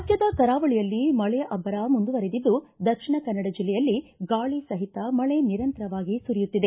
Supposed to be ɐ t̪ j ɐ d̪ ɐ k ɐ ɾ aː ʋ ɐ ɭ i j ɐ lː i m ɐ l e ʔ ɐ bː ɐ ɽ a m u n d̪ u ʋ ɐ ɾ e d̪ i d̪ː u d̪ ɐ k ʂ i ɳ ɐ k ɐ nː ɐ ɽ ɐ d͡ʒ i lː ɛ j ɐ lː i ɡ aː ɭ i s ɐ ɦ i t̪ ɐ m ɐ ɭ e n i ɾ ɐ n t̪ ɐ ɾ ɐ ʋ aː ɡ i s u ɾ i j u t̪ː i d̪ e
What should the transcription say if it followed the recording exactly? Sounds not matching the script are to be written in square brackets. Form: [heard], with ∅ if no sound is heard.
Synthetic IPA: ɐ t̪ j ɐ d̪ ɐ k ɐ ɾ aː ʋ ɐ ɭ i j ɐ lː i m ɐ [ɭ] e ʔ ɐ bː ɐ [ɾ] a m u n d̪ u ʋ ɐ ɾ e d̪ i d̪ː u d̪ ɐ k ʂ i ɳ ɐ k ɐ nː ɐ ɽ ɐ d͡ʒ i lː ɛ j ɐ lː i ɡ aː ɭ i s ɐ ɦ i t̪ ɐ m ɐ ɭ e n i ɾ ɐ n t̪ ɐ ɾ ɐ ʋ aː ɡ i s u ɾ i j u t̪ː i d̪ e